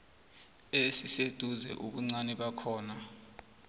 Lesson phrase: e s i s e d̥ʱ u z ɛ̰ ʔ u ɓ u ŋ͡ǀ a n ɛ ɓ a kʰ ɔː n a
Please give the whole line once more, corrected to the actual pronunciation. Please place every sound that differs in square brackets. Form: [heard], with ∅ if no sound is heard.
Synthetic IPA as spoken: e s i s e d̥ʱ u z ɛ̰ ʔ u ɓ u ŋ͡ǀ a n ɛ ɓ a kʰ ɔː n a